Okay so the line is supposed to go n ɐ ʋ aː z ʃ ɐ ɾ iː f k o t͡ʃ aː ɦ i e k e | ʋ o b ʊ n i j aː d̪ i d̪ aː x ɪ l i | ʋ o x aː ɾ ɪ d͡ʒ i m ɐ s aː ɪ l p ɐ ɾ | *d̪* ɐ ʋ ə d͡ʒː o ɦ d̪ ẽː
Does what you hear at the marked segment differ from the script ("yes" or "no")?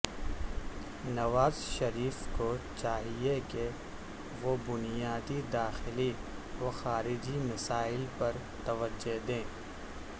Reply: yes